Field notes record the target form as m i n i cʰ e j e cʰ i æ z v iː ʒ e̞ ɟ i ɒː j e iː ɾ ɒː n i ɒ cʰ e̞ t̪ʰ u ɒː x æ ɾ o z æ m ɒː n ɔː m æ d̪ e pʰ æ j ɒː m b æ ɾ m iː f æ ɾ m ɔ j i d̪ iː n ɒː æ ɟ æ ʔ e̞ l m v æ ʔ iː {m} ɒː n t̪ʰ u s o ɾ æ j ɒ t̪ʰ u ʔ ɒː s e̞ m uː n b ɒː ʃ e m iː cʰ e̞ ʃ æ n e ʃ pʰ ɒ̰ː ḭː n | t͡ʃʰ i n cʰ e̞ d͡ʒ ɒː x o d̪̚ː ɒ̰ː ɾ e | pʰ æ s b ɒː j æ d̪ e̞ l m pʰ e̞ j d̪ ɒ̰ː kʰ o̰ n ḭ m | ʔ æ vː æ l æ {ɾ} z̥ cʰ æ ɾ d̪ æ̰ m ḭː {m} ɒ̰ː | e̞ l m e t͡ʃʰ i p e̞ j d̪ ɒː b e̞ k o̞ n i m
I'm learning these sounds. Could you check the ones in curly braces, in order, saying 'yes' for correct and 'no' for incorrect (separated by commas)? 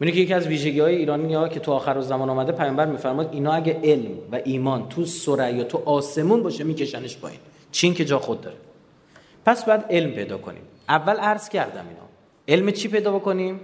yes, yes, no